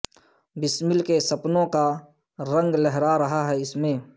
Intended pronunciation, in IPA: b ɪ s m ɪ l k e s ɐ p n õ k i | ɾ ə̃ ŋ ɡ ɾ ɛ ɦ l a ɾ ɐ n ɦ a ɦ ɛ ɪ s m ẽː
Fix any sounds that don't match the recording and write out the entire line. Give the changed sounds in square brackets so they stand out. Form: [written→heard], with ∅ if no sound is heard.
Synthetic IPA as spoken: b ɪ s m ɪ l k e s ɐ p n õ k [i→a] | ɾ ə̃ ŋ ɡ [ɾ→l] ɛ ɦ [l→ɾ] a ɾ ɐ [n→∅] ɦ a ɦ ɛ ɪ s m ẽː